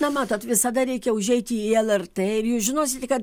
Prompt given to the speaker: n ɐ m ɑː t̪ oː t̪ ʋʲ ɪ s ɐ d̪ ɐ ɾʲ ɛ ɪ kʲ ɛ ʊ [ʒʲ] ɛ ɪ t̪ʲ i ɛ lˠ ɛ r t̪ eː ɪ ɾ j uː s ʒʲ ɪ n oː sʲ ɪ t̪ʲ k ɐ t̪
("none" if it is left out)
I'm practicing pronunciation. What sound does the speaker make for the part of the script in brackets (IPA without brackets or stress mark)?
ʒʲ